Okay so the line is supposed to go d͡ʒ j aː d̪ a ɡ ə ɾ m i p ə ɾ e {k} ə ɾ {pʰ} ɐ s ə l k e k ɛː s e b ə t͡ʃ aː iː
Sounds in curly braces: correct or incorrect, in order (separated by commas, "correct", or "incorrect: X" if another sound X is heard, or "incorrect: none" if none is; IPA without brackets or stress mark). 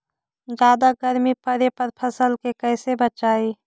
incorrect: p, correct